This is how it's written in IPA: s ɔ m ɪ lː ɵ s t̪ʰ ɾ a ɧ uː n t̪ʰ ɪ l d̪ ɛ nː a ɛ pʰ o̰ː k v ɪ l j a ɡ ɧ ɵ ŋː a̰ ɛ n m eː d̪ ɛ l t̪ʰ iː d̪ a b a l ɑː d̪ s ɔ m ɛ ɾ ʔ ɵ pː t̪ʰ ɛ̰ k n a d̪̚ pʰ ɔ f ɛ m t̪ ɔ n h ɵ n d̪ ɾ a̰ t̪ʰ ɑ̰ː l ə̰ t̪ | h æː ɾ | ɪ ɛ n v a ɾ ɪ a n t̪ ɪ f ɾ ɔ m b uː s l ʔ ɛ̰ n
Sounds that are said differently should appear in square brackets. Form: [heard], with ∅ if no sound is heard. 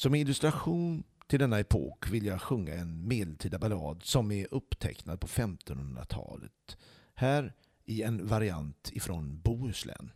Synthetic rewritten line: s ɔ m ɪ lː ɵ s [t̪] ɾ a ɧ uː n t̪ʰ ɪ l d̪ ɛ nː a ɛ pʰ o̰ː k v ɪ l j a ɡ ɧ ɵ ŋː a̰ ɛ n m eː d̪ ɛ l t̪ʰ iː d̪ a b a l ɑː d̪ s ɔ m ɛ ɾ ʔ ɵ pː t̪ʰ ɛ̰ k n a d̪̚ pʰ ɔ f ɛ m t̪ ɔ n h ɵ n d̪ ɾ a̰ t̪ʰ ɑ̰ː l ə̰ t̪ | h æː ɾ | ɪ ɛ n v a ɾ ɪ a n t̪ ɪ f ɾ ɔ [n] b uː s l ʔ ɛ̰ n